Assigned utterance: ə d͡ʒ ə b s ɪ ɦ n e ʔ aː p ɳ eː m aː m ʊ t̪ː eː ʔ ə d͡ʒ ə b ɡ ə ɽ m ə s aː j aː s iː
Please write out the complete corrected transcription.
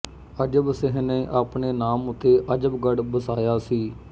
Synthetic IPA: ə d͡ʒ ə b s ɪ ɦ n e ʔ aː p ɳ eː n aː m ʊ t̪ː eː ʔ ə d͡ʒ ə b ɡ ə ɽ b ə s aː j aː s iː